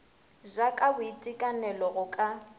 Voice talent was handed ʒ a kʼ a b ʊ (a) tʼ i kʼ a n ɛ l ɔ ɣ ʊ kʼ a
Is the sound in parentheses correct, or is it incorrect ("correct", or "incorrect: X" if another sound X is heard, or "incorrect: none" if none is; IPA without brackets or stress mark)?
incorrect: i